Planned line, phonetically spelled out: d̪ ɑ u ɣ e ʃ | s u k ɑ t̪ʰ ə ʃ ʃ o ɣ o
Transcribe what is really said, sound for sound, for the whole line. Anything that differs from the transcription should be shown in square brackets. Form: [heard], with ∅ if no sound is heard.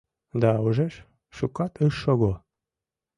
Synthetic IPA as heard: d̪ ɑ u [ʒ] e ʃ | [ʃ] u k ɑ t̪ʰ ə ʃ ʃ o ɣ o

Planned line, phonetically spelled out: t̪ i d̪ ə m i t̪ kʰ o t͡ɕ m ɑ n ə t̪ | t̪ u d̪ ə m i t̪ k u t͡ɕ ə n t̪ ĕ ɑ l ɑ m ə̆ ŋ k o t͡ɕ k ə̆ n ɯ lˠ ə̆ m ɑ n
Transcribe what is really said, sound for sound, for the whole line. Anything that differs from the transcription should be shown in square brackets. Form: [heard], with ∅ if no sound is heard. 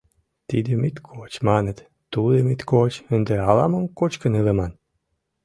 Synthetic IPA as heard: t̪ i d̪ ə m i t̪ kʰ o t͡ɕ m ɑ n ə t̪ | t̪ u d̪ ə m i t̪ k [o] t͡ɕ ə n [d̪] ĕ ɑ l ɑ m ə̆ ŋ k o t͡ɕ k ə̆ n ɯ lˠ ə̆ m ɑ n

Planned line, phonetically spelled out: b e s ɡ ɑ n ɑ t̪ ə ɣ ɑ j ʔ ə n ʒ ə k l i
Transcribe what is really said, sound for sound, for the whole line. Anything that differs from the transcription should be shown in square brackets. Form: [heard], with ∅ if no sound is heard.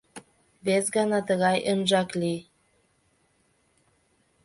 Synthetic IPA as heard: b e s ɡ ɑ n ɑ t̪ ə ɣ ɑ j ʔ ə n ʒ [ɑ] k l i

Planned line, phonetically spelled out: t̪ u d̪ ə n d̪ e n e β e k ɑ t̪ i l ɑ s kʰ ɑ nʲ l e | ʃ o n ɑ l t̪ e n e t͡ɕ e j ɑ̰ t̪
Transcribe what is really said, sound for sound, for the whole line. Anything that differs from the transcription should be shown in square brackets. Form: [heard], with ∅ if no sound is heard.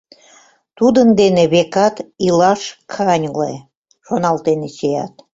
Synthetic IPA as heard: t̪ u d̪ ə n d̪ e n e β e k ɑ t̪ i l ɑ [ʃ] kʰ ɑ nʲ l e | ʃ o n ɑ l t̪ e n e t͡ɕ e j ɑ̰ t̪

